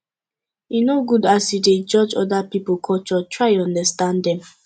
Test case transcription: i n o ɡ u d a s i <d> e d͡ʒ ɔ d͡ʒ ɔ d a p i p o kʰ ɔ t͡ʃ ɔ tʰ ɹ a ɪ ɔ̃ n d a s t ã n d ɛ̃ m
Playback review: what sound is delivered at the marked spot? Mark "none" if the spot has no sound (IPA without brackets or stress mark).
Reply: d